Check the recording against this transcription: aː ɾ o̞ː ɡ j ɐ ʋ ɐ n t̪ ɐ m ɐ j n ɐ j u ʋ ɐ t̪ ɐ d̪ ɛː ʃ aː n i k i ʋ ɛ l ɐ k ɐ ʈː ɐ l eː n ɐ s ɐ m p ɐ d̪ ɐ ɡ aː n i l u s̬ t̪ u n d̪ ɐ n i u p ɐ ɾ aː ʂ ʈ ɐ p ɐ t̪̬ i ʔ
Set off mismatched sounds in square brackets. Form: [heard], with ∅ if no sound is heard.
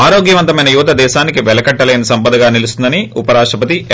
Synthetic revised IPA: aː ɾ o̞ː ɡ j ɐ ʋ ɐ n t̪ ɐ m ɐ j n ɐ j u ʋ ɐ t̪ ɐ d̪ ɛː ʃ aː n i k i ʋ ɛ l ɐ k ɐ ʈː ɐ l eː n ɐ s ɐ m p ɐ d̪ ɐ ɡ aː n i l u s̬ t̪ u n d̪ ɐ n i u p ɐ ɾ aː ʂ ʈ ɐ p ɐ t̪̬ i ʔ